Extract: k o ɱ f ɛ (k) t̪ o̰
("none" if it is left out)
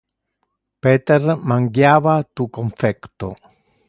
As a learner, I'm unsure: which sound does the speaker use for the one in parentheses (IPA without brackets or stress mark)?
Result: k